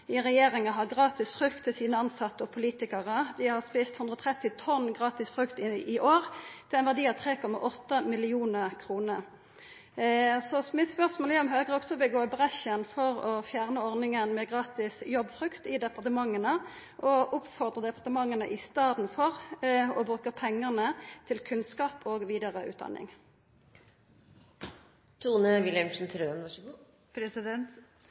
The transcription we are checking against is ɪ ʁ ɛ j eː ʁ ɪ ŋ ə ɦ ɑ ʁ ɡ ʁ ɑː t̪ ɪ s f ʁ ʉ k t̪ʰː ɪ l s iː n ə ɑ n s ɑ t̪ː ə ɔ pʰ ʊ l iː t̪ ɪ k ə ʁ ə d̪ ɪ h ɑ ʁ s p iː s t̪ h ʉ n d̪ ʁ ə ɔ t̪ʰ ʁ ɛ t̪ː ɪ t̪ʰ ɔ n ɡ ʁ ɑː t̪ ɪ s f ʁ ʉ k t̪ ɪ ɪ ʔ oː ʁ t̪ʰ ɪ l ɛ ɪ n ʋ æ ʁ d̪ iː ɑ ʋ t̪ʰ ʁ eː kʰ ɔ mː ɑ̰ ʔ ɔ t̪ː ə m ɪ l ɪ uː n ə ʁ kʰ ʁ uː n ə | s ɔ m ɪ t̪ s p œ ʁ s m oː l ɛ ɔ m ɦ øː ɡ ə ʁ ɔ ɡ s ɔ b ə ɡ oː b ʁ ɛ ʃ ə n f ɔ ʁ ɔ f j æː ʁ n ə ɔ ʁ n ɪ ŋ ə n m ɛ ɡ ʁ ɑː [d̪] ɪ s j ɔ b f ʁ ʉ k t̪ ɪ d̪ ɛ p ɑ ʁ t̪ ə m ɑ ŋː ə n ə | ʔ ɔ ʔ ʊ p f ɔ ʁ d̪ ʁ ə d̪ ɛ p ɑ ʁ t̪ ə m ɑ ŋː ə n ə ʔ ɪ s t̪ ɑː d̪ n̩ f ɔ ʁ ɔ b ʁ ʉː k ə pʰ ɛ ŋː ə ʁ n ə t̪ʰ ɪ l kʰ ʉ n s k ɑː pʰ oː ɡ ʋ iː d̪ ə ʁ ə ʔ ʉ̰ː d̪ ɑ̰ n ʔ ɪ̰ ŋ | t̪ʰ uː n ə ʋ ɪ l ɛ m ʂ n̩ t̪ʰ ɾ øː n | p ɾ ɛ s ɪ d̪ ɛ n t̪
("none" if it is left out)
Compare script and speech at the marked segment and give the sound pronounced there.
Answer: t̪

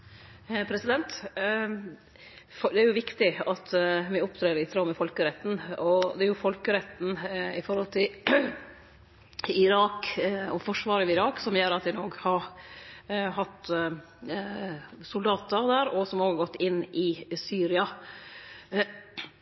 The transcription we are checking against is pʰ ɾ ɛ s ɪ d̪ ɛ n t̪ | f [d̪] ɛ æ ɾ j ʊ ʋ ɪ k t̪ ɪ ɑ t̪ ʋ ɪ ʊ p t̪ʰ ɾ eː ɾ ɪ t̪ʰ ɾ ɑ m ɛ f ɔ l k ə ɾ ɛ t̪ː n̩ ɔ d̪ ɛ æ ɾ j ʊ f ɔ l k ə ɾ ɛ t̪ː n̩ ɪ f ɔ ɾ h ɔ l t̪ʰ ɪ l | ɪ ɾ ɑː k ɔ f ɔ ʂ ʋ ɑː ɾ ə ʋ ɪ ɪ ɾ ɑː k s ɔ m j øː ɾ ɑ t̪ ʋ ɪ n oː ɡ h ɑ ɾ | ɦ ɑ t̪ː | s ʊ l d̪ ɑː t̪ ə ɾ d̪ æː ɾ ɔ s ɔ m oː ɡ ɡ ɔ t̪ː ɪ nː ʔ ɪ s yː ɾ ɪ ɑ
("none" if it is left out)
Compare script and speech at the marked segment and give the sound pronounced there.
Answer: d̪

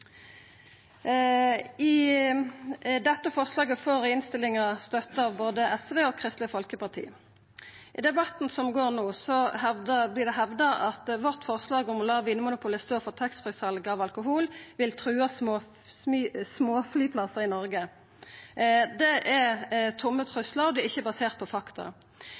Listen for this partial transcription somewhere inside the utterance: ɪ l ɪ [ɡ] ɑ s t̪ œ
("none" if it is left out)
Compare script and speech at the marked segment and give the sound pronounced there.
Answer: ŋ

